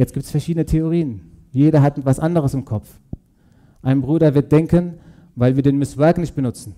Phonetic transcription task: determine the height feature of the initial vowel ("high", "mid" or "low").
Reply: mid